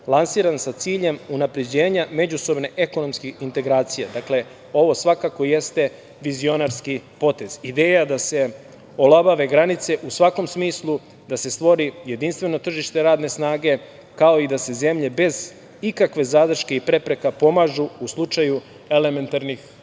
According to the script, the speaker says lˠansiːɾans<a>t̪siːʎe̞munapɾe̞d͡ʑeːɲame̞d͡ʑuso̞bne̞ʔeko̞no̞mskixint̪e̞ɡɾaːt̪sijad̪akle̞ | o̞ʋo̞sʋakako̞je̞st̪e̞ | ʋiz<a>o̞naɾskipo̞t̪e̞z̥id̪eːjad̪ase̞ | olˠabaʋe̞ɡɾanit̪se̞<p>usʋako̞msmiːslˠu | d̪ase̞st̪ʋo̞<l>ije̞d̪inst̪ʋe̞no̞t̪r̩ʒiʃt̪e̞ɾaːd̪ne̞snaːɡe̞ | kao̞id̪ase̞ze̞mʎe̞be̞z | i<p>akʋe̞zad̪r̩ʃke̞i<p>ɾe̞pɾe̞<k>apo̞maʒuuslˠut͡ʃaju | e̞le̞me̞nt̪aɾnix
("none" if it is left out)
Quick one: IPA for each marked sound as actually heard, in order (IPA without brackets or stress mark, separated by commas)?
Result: a, i, ʔ, ɾ, k, p, k